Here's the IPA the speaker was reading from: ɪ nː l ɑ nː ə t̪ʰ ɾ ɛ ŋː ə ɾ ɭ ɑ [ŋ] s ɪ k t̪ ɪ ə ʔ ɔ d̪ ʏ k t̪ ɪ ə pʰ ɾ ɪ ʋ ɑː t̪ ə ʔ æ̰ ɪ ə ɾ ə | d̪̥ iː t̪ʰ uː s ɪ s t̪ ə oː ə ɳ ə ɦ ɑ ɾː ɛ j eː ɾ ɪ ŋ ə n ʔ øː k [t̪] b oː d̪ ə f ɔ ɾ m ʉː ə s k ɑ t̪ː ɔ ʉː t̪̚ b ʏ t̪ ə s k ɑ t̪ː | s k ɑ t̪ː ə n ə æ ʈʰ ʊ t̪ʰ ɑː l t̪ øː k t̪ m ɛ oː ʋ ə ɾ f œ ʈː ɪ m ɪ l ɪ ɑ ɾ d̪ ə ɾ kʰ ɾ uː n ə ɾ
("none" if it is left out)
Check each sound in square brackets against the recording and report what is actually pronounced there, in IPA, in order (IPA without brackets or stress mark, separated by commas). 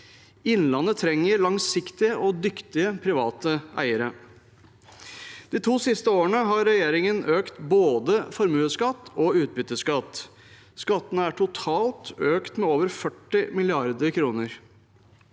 ŋ, t̪